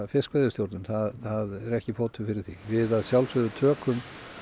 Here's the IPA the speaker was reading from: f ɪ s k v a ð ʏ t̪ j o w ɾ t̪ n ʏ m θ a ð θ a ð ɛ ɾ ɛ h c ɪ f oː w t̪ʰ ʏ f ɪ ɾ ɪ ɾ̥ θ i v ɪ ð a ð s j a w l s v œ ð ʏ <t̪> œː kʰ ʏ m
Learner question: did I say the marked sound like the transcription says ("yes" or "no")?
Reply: no